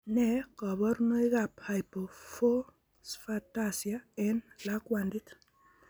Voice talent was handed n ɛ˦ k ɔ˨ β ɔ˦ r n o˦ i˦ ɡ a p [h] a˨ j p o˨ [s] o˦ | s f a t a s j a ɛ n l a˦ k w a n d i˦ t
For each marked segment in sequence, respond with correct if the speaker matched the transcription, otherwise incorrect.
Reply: correct, incorrect

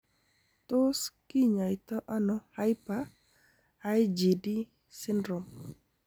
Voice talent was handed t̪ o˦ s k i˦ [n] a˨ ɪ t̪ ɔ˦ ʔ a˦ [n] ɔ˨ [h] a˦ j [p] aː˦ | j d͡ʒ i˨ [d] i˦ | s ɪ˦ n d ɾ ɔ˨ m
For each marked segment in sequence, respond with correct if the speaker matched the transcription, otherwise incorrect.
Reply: incorrect, correct, correct, correct, correct

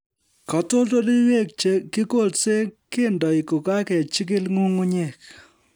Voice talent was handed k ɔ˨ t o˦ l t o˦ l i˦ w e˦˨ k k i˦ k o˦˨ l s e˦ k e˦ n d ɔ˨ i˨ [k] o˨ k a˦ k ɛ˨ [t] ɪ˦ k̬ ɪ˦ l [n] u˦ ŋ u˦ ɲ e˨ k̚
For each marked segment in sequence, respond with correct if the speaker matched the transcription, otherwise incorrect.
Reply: correct, incorrect, incorrect

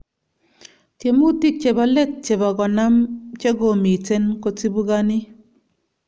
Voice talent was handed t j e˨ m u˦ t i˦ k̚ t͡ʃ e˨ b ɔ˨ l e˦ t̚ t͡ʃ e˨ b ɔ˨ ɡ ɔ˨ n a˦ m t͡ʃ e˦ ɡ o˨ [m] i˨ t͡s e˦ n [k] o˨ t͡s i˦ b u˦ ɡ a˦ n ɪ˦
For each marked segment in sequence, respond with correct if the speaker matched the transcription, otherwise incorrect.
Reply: correct, correct

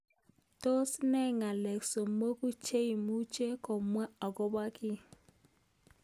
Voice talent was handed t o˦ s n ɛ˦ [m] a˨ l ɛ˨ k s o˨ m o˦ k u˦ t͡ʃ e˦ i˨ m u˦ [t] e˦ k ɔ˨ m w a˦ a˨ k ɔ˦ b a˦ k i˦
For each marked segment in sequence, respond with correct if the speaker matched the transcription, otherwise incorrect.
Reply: incorrect, incorrect

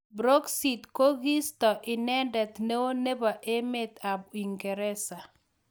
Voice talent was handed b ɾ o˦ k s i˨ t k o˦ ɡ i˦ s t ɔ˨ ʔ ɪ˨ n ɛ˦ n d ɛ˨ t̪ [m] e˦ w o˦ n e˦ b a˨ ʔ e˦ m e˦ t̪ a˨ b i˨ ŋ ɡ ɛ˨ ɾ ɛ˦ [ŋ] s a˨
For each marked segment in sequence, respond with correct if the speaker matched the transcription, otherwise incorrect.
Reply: incorrect, incorrect

